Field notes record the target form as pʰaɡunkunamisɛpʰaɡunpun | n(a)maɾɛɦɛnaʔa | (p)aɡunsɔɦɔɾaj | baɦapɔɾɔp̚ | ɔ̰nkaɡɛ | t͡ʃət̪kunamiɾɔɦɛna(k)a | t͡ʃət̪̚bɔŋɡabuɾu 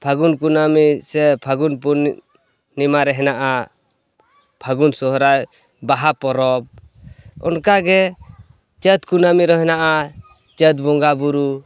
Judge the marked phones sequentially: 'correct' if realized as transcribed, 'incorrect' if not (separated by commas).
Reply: incorrect, incorrect, incorrect